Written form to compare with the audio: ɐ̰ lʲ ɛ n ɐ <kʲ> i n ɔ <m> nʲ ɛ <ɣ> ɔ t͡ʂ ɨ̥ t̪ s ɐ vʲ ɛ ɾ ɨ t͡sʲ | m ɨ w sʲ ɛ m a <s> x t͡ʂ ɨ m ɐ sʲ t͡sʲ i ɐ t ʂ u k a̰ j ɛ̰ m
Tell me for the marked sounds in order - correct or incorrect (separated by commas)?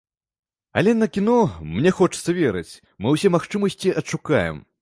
correct, correct, incorrect, incorrect